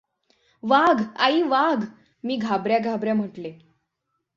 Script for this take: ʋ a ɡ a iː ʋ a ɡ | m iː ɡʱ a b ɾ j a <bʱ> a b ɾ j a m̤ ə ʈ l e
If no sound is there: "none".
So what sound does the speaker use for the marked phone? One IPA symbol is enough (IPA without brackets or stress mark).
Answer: ɡʱ